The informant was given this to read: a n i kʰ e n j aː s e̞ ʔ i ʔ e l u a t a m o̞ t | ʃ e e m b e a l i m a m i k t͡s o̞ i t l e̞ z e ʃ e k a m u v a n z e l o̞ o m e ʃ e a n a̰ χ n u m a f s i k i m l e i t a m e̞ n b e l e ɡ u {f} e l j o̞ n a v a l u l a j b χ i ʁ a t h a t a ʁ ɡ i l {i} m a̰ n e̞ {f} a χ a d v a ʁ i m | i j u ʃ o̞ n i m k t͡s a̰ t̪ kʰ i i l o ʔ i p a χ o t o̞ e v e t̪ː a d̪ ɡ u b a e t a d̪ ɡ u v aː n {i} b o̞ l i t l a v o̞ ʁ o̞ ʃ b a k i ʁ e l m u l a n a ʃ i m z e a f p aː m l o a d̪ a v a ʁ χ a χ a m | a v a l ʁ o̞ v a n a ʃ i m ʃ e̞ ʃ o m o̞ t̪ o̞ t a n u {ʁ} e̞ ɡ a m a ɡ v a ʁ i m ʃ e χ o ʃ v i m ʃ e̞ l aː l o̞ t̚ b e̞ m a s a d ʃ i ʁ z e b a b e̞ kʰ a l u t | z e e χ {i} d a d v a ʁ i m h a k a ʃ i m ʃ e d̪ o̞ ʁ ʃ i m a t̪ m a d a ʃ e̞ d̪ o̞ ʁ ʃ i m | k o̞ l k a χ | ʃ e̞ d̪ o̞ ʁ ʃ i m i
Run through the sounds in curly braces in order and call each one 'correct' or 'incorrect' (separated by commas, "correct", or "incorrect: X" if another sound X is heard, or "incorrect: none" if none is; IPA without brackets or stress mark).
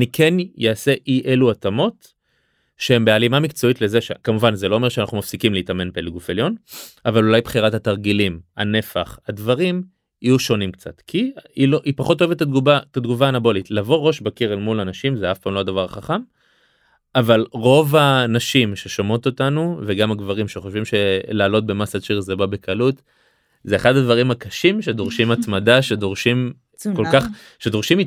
correct, correct, correct, incorrect: a, incorrect: v, incorrect: a